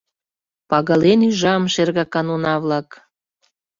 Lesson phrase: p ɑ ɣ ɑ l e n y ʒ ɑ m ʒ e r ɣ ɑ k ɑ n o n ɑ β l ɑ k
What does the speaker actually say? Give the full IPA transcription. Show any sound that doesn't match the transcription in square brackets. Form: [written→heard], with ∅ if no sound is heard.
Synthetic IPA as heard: p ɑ ɣ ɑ l e n y ʒ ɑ m [ʒ→ʃ] e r ɣ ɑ k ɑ n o n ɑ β l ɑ k